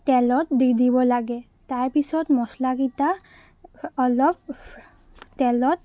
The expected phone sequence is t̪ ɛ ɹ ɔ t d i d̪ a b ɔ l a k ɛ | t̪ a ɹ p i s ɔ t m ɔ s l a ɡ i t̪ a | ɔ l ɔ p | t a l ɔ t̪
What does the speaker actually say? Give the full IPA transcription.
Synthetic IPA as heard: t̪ ɛ l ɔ t d i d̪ i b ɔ l a ɡ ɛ | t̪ a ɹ p i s ɔ t m ɔ s l a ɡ i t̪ a | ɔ l ɔ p | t ɛ l ɔ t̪